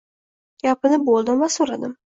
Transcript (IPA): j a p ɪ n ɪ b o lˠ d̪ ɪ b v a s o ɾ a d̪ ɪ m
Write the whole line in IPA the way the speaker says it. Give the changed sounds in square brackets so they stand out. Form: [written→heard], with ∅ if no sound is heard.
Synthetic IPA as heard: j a p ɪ n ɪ b o lˠ d̪ ɪ [b→m] v a s o ɾ a d̪ ɪ m